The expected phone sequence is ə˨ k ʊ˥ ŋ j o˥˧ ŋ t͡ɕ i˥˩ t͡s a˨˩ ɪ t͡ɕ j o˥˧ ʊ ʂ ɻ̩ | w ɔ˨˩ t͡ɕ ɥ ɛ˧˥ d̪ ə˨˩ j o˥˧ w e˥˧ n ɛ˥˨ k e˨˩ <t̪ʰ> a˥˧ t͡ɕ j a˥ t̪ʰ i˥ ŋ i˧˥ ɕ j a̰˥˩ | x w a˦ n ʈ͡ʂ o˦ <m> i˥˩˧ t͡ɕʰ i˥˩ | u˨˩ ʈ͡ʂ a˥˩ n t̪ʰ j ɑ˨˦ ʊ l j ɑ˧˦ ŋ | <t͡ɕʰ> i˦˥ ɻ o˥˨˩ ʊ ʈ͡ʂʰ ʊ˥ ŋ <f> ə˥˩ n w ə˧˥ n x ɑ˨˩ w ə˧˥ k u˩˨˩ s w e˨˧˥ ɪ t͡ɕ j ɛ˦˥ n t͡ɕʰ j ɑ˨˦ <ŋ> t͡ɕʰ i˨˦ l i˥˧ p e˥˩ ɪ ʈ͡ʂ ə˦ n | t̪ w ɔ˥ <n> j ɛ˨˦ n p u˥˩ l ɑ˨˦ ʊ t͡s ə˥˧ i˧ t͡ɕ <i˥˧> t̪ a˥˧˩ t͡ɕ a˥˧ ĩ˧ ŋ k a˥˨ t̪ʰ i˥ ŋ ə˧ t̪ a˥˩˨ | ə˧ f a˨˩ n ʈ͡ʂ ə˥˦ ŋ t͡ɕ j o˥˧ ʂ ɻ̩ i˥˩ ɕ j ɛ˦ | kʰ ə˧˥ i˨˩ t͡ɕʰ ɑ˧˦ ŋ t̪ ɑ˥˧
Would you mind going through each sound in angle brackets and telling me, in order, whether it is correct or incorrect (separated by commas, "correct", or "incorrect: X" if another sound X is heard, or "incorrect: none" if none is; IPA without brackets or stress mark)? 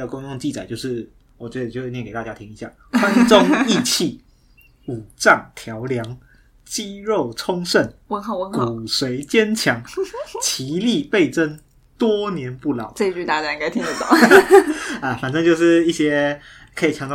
incorrect: t̪, incorrect: ŋ, incorrect: t͡ɕ, incorrect: ʂ, correct, correct, incorrect: y˥˧